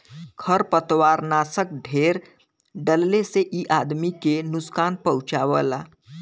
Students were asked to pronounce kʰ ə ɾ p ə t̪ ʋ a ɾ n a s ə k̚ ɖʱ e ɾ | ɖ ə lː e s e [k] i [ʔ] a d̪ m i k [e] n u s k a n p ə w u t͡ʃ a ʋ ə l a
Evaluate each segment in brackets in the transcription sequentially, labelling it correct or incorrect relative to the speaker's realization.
incorrect: ʔ, correct, correct

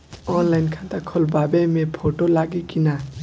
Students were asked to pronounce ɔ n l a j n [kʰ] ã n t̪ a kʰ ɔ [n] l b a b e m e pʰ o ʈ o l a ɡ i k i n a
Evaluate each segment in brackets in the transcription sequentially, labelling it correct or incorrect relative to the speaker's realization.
correct, incorrect: none

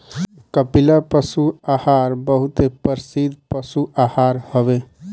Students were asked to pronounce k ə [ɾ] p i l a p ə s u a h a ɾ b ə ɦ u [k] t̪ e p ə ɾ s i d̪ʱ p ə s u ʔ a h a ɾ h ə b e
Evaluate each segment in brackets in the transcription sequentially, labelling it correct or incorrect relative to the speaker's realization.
incorrect: none, incorrect: none

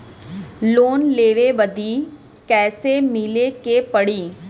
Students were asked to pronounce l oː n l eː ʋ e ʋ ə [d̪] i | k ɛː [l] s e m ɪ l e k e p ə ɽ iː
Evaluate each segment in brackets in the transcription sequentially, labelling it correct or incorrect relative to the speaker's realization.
correct, incorrect: none

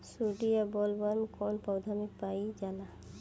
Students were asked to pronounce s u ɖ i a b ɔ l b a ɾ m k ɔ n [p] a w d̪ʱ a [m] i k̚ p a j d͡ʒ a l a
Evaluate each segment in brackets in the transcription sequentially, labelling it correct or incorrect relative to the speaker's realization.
correct, correct

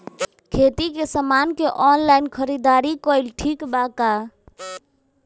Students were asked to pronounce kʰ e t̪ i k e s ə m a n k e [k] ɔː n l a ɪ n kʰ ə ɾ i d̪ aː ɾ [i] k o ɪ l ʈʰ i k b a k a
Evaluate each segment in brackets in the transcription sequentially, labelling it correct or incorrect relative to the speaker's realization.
incorrect: ʔ, correct

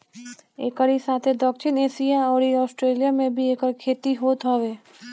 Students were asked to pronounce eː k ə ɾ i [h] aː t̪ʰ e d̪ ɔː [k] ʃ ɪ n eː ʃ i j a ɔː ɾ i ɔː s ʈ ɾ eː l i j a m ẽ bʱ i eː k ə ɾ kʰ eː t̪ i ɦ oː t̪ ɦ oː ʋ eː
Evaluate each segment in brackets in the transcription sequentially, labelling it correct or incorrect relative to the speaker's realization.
incorrect: s, correct

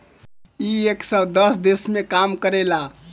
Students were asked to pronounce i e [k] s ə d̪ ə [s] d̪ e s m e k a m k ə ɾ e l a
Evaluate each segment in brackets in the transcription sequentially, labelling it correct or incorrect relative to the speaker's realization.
correct, correct

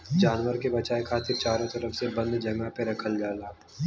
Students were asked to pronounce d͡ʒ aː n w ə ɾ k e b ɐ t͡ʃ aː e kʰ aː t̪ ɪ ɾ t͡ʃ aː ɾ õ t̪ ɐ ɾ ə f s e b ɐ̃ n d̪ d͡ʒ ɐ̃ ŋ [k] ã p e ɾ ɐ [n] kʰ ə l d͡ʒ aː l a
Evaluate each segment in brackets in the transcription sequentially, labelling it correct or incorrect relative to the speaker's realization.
incorrect: ɡ, incorrect: none

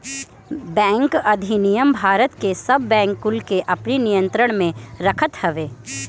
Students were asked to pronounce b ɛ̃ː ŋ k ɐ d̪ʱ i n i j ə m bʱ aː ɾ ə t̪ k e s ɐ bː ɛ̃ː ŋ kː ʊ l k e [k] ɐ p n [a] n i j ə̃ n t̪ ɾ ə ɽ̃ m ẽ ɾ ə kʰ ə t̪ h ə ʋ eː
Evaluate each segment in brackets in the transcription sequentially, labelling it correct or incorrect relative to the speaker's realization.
incorrect: ʔ, incorrect: i

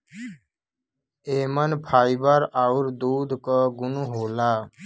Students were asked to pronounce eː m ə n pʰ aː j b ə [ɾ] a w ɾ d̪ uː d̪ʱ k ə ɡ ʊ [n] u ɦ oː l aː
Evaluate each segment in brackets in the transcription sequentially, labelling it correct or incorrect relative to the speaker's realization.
correct, correct

